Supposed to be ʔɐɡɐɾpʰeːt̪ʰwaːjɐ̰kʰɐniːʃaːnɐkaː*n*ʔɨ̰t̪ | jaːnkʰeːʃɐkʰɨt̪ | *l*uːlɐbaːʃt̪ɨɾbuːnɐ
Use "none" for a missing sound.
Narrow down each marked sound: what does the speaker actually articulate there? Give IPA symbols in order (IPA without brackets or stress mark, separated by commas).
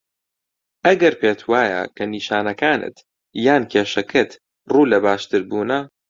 n, r